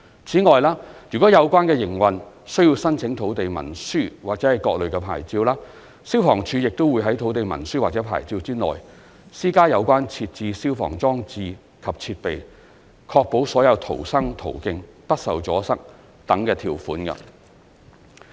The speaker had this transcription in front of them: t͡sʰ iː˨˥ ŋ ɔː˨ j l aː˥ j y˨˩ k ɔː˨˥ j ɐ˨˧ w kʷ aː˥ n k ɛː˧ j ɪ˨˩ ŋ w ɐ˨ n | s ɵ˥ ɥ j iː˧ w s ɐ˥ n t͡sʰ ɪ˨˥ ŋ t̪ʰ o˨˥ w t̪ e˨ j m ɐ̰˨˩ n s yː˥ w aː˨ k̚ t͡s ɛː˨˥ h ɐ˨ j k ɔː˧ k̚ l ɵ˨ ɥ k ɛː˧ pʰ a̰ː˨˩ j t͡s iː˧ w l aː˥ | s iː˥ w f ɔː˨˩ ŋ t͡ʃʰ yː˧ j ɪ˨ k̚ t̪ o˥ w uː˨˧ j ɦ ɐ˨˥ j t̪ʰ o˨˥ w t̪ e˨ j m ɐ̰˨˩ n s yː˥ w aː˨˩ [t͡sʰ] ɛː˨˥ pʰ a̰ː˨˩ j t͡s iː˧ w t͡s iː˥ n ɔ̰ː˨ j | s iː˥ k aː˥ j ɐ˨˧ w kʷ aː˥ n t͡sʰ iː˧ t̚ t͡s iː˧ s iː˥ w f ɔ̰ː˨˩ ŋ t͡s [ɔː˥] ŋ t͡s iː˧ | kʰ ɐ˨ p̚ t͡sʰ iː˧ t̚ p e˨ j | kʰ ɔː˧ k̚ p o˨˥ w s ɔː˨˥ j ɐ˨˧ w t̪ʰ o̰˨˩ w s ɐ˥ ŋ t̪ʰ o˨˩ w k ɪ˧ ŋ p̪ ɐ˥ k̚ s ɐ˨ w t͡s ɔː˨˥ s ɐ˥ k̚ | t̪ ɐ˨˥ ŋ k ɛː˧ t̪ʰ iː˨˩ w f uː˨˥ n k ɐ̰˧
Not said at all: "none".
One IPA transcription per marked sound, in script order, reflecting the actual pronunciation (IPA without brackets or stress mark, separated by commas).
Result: t͡s, ɔː˥